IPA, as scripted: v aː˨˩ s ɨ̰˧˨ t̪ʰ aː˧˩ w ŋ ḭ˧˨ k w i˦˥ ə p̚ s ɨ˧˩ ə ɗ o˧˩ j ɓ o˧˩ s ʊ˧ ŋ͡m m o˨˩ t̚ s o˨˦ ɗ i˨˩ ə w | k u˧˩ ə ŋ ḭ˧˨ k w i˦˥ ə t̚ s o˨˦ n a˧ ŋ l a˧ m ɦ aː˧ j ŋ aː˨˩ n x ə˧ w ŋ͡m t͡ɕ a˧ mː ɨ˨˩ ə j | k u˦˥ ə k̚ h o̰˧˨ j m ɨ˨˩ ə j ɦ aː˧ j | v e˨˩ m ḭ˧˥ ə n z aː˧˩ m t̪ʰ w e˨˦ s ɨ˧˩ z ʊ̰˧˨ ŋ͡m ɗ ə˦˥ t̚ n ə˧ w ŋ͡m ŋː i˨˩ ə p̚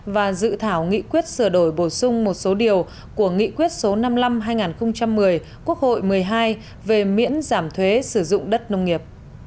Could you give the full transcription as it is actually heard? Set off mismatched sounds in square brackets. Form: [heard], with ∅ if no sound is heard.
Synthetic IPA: v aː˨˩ [z] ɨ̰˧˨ t̪ʰ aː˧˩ w ŋ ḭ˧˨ k w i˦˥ ə [t̚] s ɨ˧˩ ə ɗ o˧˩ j ɓ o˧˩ s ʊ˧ ŋ͡m m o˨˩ t̚ s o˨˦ ɗ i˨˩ ə w | k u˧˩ ə ŋ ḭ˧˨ k w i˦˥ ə t̚ s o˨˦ n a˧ [m] l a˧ m ɦ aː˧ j ŋ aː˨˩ n x ə˧ w ŋ͡m t͡ɕ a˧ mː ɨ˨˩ ə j | k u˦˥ ə k̚ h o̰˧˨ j m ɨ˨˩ ə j ɦ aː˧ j | v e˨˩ m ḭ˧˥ ə n z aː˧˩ m t̪ʰ w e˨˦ s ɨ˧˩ z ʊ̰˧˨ ŋ͡m ɗ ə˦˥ t̚ n ə˧ w ŋ͡m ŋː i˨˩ ə p̚